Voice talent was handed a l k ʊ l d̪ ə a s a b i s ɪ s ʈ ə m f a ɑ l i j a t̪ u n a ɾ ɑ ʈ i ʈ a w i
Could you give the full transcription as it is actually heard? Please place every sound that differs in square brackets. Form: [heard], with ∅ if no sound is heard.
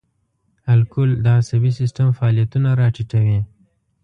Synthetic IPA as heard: a l k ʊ l d̪ ə a s a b i s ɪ s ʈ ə m f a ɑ l i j a t̪ u n a ɾ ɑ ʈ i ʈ a w i